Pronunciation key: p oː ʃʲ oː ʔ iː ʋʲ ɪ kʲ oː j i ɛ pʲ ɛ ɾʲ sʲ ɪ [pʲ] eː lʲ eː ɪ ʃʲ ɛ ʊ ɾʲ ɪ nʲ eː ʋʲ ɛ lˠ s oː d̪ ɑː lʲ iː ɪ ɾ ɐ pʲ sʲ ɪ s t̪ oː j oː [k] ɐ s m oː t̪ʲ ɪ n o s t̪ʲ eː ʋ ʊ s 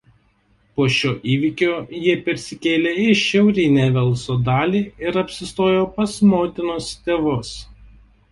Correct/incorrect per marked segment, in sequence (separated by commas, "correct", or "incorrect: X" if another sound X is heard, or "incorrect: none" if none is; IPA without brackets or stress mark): incorrect: kʲ, incorrect: p